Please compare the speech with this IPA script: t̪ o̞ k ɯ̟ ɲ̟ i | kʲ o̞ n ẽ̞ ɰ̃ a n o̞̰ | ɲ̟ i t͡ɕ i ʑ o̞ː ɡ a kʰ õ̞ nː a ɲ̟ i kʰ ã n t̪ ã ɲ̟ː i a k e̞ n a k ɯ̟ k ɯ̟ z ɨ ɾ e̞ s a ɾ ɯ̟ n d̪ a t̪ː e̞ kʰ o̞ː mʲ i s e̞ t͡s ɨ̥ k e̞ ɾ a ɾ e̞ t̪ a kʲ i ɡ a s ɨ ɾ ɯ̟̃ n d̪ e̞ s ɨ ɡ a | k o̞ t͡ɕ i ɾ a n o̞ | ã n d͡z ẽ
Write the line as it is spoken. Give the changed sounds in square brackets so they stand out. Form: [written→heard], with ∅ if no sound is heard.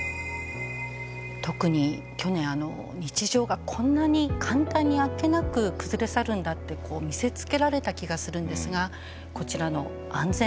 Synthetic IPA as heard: t̪ o̞ k ɯ̟ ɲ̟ i | kʲ o̞ n ẽ̞ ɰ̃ a n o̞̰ | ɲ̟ i t͡ɕ i ʑ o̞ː ɡ a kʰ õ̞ nː a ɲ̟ i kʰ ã n t̪ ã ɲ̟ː i a k e̞ n a k ɯ̟ k ɯ̟ z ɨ ɾ e̞ s a ɾ [ɯ̟→ɯ̟̃] n d̪ a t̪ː e̞ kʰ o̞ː mʲ i s e̞ t͡s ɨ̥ k e̞ ɾ a ɾ e̞ t̪ a kʲ i ɡ a s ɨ ɾ ɯ̟̃ n d̪ e̞ s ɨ ɡ a | k o̞ t͡ɕ i ɾ a n o̞ | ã n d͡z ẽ